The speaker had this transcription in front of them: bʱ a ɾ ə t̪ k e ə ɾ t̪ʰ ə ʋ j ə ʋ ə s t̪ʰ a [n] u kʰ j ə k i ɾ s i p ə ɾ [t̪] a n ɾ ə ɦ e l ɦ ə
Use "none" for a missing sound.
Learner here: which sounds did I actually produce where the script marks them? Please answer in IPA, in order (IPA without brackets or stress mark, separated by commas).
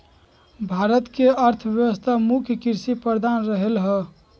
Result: m, d̪